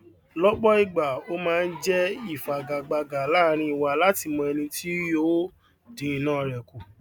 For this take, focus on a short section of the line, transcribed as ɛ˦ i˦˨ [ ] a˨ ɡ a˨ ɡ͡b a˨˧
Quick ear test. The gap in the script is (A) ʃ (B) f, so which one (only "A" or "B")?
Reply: B